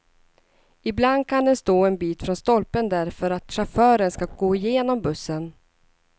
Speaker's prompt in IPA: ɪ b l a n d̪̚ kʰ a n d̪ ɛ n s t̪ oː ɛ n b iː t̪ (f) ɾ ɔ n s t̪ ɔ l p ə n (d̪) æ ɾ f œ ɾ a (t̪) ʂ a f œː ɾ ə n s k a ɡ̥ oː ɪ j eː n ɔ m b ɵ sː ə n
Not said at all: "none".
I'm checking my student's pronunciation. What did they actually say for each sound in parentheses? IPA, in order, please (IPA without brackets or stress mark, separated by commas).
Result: f, d̪, t̪